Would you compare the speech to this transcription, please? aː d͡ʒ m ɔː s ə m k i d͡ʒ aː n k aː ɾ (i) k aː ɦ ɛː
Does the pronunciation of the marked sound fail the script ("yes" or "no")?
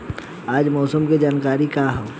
no